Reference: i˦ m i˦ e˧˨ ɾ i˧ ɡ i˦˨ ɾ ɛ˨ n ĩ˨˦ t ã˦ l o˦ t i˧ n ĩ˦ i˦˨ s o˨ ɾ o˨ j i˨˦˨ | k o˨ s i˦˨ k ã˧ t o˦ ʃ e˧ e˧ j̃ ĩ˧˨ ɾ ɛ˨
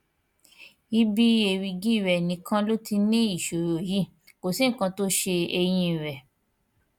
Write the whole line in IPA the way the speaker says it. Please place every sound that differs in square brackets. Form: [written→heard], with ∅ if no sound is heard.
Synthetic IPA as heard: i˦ [m→b] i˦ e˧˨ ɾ i˧ ɡ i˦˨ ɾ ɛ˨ n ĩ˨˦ [t→k] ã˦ l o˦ t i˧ n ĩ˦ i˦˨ [s→ʃ] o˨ ɾ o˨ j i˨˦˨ | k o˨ s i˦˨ k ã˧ t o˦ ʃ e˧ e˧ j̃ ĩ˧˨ ɾ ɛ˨